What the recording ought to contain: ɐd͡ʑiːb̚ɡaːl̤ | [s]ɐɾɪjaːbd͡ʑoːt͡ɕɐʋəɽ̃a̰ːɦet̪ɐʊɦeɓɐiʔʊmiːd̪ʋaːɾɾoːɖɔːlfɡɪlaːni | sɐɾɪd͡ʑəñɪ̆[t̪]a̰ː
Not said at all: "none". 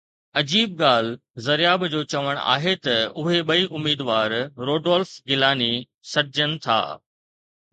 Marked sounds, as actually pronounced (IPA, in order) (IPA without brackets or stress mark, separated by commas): z, t̪ʰ